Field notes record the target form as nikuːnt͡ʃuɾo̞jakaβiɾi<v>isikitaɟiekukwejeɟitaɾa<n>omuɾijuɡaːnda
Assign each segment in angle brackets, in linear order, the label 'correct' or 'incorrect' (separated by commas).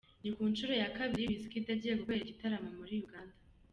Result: incorrect, incorrect